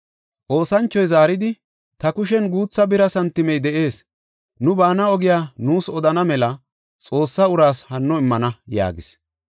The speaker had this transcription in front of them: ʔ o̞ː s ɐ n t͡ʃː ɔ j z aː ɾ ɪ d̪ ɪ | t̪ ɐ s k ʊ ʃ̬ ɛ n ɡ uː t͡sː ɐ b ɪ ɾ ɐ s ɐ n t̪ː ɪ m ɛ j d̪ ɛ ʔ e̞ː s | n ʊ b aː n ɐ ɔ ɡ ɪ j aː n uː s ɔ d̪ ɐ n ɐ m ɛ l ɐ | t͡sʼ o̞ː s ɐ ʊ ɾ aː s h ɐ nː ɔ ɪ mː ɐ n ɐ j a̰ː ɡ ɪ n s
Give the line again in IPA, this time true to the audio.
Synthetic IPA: ʔ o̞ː s ɐ n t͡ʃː ɔ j z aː ɾ ɪ d̪ ɪ | t̪ ɐ k ʊ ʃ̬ ɛ n ɡ uː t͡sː ɐ b ɪ ɾ ɐ s ɐ n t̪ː ɪ m ɛ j d̪ ɛ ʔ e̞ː s | n ʊ b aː n ɐ ɔ ɡ ɪ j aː n uː s ɔ d̪ ɐ n ɐ m ɛ l ɐ | t͡sʼ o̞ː sː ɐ ʊ ɾ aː s h ɐ nː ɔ ɪ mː ɐ n ɐ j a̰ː ɡ ɪ s